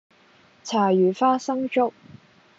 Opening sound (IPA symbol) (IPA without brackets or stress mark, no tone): t͡sʰ